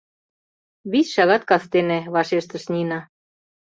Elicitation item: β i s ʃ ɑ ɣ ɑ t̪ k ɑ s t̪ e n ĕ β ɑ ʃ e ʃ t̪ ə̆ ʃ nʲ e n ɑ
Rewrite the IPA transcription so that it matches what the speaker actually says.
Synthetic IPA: β i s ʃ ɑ ɣ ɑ t̪ k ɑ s t̪ e n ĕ β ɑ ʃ e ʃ t̪ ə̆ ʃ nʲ i n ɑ